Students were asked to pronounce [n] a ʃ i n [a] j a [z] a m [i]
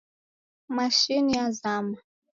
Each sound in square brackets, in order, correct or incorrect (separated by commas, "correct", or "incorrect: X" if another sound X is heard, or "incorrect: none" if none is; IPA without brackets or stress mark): incorrect: m, incorrect: i, correct, incorrect: a